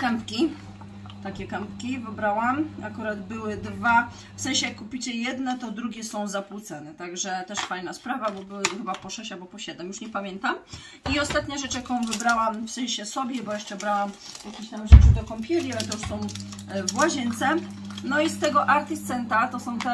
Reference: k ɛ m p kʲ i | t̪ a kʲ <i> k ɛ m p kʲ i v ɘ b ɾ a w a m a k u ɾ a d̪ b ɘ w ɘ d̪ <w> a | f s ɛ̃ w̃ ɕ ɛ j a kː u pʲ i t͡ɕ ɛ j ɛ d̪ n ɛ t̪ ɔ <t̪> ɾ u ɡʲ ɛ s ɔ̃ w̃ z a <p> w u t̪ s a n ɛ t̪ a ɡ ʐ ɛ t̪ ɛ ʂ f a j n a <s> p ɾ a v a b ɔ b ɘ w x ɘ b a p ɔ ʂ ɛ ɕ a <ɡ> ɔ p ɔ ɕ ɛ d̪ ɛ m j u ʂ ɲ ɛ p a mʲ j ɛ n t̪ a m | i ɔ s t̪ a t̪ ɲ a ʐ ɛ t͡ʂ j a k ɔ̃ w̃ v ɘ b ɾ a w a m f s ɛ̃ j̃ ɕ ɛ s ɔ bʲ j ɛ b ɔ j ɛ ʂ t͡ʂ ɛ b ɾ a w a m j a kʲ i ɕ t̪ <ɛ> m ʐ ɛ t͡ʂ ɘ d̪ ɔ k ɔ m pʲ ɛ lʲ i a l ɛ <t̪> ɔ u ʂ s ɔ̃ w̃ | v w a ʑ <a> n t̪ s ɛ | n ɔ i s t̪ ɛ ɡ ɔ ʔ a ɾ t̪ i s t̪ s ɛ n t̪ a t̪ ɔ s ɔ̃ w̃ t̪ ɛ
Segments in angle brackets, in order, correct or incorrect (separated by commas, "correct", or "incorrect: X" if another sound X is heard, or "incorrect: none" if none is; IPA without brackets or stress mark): incorrect: ɛ, incorrect: v, incorrect: d̪, correct, correct, incorrect: b, incorrect: a, correct, incorrect: ɛ